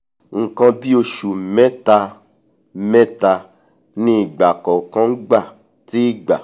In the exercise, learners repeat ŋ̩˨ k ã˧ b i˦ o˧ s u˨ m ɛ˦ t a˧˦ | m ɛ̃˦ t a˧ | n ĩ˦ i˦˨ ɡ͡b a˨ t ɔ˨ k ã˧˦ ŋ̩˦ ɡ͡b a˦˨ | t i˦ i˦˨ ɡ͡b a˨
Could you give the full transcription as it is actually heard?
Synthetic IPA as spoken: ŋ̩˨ k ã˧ b i˦ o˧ ʃ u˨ m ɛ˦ t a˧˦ | m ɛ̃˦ t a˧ | n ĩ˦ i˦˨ ɡ͡b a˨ k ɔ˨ k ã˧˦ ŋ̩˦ ɡ͡b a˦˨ | t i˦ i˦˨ ɡ͡b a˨